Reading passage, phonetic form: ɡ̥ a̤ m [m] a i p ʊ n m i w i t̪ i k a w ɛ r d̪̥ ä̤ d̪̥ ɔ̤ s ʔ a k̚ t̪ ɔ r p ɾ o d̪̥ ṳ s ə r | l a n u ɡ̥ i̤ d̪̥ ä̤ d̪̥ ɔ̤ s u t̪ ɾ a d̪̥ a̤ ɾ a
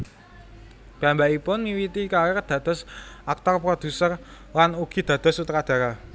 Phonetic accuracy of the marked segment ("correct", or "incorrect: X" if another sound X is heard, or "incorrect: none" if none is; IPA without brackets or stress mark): incorrect: b